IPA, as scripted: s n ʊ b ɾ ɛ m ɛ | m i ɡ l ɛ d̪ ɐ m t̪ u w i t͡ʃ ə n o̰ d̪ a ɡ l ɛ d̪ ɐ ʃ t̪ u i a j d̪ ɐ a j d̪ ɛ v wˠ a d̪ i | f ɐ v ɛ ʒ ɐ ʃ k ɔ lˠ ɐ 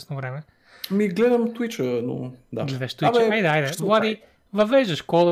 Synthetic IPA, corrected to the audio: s n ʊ v ɾ ɛ m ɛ | m i ɡ l ɛ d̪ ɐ m t̪ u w i t͡ʃ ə n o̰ d̪ a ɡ l ɛ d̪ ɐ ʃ t̪ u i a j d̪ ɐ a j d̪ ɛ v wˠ a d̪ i | v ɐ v ɛ ʒ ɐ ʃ k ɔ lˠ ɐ